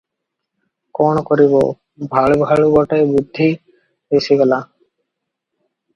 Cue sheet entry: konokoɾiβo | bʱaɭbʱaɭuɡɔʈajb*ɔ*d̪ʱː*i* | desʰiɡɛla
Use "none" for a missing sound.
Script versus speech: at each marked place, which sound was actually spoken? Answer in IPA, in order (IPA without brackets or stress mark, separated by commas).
u, i